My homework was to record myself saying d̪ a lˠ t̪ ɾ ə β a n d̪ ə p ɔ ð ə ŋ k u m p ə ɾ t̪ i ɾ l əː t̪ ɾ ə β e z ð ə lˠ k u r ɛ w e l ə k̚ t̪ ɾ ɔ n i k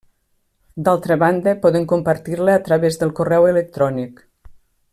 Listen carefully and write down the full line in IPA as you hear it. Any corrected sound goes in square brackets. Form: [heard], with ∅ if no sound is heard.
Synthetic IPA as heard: d̪ a lˠ t̪ ɾ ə β a n d̪ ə p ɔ ð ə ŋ k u m p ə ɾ t̪ i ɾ l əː t̪ ɾ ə β e z ð ə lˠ k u r ɛ w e l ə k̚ t̪ ɾ ɔ n i k